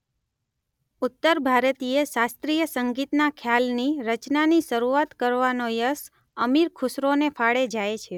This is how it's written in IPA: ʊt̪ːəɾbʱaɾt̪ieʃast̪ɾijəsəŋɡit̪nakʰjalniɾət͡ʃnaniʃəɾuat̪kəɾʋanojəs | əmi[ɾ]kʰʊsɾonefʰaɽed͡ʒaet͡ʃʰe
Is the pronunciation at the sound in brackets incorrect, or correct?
correct